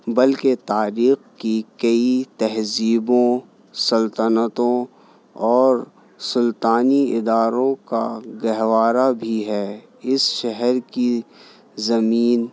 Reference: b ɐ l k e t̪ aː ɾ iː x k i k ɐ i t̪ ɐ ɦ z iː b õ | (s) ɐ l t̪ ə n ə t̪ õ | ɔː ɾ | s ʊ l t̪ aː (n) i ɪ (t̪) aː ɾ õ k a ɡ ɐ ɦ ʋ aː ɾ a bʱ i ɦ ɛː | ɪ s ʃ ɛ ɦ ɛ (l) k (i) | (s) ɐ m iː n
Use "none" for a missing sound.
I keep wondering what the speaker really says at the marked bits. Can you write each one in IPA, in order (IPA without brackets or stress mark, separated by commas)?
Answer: s, n, d̪, ɾ, i, z